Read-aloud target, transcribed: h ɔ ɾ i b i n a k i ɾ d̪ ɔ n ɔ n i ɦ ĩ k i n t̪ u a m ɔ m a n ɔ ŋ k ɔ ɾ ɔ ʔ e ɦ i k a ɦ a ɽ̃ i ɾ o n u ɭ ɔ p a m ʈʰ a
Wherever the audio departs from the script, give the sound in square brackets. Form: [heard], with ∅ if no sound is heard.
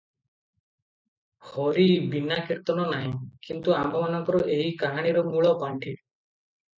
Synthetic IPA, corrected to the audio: h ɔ ɾ i b i n a k i ɾ [t̪] ɔ n ɔ n [a] ɦ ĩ k i n t̪ u a m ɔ m a n ɔ ŋ k ɔ ɾ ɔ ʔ e ɦ i k a ɦ a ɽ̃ i ɾ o [m] u ɭ ɔ p a [ɳ] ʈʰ [i]